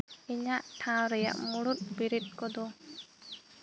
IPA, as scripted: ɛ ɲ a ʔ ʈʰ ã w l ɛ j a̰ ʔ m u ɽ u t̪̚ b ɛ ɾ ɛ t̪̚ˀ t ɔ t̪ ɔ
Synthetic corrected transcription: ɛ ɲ a ʔ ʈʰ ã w ɾ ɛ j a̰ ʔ m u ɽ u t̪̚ b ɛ ɾ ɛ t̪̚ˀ k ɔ d̪ ɔ